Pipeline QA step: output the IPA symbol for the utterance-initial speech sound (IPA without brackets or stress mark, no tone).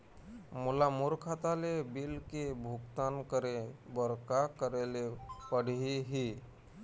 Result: m